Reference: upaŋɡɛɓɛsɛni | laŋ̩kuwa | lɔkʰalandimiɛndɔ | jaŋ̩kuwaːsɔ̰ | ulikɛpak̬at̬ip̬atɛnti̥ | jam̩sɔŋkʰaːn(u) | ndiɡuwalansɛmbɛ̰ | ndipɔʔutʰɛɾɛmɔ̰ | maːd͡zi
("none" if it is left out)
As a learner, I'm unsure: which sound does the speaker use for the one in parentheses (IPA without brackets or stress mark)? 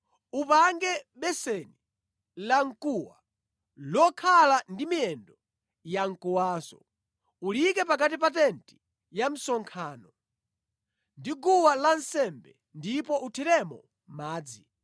ɔ